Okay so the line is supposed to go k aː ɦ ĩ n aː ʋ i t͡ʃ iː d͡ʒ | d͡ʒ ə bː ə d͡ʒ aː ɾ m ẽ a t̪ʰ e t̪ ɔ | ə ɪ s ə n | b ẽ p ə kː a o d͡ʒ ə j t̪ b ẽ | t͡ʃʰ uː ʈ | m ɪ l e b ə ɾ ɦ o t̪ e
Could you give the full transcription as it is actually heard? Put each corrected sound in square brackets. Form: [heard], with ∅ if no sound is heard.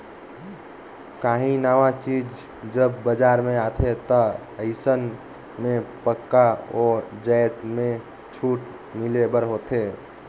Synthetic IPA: k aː ɦ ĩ n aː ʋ [a] t͡ʃ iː d͡ʒ | d͡ʒ ə bː ə d͡ʒ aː ɾ m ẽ a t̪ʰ e t̪ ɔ | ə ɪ s ə n | [m] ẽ p ə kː a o d͡ʒ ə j t̪ [m] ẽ | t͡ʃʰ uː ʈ | m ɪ l e b ə ɾ ɦ o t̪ e